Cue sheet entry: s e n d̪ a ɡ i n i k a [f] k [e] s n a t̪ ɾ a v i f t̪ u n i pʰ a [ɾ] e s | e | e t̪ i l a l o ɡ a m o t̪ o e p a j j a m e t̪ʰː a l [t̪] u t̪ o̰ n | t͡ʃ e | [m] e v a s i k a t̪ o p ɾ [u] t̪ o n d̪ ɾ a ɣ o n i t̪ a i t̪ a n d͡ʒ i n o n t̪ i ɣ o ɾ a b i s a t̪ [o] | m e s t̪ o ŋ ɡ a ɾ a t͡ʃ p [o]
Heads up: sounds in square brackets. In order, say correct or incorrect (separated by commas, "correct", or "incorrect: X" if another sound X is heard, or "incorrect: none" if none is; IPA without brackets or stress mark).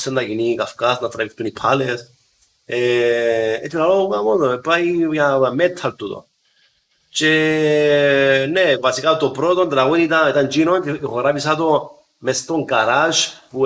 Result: correct, incorrect: a, incorrect: l, correct, incorrect: n, incorrect: o, correct, incorrect: u